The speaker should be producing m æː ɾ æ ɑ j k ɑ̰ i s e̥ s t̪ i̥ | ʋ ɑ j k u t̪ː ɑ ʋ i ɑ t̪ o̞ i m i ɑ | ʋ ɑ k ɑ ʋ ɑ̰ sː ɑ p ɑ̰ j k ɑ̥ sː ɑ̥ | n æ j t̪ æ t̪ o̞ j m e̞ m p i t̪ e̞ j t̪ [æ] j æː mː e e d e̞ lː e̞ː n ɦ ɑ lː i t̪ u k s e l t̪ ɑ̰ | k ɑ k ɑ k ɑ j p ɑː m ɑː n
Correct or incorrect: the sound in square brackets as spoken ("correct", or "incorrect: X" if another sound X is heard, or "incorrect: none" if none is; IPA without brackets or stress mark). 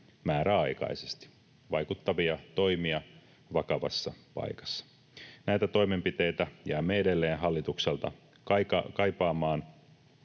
correct